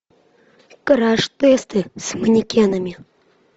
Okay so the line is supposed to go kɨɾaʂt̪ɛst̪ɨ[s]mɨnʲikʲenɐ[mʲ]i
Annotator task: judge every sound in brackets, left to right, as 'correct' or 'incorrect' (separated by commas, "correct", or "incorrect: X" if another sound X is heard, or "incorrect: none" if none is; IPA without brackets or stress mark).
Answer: correct, correct